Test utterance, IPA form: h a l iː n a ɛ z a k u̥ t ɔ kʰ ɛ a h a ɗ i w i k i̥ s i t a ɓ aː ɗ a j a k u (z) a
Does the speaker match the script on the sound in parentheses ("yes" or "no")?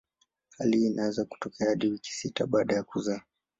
yes